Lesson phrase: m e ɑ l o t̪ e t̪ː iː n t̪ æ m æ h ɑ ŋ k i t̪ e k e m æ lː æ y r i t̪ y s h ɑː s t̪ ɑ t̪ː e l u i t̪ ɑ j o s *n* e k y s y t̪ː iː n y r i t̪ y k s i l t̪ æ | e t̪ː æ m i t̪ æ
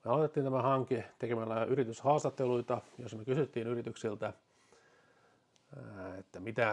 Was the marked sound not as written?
yes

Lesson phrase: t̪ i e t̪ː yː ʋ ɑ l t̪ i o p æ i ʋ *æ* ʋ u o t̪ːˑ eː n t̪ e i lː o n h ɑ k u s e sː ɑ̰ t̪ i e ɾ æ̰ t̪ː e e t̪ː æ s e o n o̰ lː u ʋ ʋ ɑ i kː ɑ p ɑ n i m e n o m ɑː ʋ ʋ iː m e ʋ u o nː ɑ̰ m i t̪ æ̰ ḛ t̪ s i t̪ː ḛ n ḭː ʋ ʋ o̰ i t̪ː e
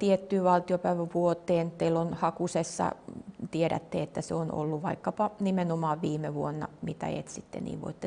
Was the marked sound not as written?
no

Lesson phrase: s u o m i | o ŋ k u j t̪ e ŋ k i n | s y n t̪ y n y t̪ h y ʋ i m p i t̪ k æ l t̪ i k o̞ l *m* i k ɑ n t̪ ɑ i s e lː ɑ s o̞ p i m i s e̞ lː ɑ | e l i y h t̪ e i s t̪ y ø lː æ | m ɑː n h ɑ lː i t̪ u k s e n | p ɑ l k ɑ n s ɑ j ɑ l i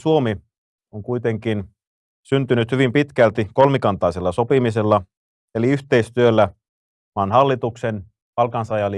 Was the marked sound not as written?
no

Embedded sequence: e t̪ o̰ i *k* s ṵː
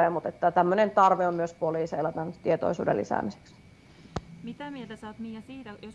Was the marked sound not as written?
yes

